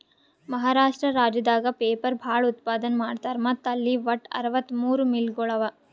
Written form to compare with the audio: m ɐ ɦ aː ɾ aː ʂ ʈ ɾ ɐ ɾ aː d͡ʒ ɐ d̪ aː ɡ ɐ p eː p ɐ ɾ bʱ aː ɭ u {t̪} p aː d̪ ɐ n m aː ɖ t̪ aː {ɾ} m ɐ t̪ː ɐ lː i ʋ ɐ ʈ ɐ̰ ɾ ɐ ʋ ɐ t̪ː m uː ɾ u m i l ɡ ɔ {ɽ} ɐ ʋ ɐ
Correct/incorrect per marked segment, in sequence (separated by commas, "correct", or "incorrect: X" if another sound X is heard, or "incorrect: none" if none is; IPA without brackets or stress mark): correct, correct, incorrect: ɭ